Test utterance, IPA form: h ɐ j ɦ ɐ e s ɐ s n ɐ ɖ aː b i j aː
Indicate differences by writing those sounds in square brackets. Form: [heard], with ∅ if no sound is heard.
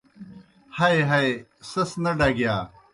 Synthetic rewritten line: h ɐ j ɦ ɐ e s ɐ s n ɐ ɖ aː [ɡ] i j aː